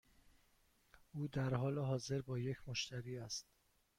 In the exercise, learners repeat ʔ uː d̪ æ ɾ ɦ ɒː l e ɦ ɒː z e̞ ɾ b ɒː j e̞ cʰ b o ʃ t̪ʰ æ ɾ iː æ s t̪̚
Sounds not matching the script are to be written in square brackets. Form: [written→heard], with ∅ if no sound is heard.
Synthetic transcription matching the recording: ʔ uː d̪ æ ɾ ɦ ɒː l e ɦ ɒː z e̞ ɾ b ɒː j e̞ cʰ [b→m] o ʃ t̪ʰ æ ɾ iː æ s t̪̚